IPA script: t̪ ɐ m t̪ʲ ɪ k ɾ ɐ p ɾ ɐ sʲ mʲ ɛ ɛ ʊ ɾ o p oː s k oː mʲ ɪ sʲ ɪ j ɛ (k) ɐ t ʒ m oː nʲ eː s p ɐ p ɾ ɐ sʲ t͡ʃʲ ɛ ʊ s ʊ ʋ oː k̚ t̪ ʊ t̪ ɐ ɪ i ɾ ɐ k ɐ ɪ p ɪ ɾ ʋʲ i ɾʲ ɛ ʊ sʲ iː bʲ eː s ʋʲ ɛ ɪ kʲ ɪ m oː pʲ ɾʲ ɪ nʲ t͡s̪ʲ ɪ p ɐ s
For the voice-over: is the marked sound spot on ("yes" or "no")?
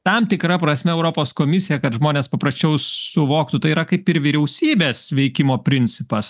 yes